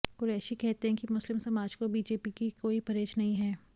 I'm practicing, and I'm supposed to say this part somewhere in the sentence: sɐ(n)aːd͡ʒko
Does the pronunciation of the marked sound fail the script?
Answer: yes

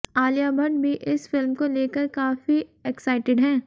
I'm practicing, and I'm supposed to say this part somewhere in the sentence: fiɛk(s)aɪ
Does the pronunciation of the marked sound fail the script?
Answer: no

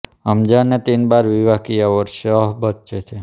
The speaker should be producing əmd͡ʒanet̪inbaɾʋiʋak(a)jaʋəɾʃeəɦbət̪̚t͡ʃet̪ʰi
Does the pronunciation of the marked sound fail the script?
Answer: yes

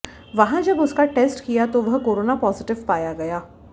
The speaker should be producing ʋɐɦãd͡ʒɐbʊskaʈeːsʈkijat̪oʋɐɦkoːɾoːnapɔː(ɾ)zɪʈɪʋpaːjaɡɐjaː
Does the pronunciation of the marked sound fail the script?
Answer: yes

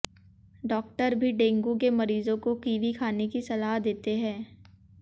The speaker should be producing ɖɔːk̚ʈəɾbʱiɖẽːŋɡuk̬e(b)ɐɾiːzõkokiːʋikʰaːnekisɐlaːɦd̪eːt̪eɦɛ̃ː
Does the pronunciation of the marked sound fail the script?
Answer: yes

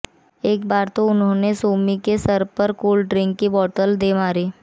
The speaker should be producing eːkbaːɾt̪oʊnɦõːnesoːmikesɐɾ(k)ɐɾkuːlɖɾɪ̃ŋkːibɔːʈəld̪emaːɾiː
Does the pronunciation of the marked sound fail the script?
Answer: yes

